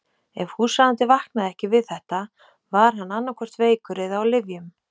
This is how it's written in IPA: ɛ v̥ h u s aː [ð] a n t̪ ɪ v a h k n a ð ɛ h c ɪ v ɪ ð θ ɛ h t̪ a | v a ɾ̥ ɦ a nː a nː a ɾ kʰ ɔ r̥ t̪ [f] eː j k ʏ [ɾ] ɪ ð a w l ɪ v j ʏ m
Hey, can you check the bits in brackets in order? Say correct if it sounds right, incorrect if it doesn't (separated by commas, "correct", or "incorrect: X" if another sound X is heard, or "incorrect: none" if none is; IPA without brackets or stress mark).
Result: correct, incorrect: v, correct